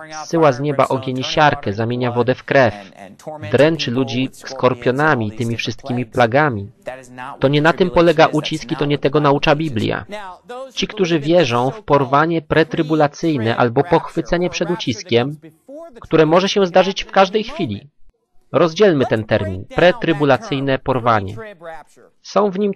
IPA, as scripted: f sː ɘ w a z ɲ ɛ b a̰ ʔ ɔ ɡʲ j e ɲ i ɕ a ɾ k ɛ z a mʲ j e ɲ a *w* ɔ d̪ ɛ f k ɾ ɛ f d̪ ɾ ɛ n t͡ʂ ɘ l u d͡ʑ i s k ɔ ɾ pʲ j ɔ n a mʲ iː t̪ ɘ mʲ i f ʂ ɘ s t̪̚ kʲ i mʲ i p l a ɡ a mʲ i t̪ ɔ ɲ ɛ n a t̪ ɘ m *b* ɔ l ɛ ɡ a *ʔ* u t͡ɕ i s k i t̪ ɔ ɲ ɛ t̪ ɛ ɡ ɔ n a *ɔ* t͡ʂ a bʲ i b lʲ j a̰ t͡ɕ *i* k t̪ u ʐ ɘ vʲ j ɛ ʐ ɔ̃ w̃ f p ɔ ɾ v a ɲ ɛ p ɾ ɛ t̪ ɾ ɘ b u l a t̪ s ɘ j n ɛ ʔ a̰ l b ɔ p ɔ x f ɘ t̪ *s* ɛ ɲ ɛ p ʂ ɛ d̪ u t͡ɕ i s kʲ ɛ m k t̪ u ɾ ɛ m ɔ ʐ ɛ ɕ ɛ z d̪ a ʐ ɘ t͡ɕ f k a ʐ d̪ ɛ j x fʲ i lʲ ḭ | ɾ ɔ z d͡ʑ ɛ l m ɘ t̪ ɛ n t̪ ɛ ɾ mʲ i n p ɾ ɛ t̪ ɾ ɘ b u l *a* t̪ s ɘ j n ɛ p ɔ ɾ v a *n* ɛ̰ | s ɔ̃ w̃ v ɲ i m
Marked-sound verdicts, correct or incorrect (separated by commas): incorrect, incorrect, correct, incorrect, correct, correct, correct, incorrect